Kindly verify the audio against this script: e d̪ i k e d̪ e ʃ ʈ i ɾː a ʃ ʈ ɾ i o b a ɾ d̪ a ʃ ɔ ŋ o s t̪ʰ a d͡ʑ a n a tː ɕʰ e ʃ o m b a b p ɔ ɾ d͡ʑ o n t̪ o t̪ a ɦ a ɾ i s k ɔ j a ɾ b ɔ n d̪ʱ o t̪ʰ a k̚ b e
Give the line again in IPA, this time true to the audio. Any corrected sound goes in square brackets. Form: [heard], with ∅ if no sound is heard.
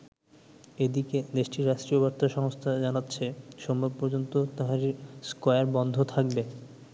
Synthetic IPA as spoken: e d̪ i k e d̪ e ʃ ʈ i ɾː a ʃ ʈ ɾ i o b a ɾ [t̪] a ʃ ɔ ŋ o s t̪ʰ a d͡ʑ a n a tː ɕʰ e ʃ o m b a b p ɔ ɾ d͡ʑ o n t̪ o t̪ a ɦ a ɾ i s k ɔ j a ɾ b ɔ n d̪ʱ o t̪ʰ a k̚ b e